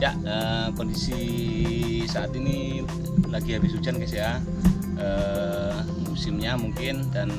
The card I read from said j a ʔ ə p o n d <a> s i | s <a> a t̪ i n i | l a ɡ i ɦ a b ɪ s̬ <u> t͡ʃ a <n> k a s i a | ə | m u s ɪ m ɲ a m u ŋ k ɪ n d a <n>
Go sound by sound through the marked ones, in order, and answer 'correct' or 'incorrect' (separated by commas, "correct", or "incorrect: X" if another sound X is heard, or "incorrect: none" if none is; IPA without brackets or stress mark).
incorrect: i, correct, correct, correct, correct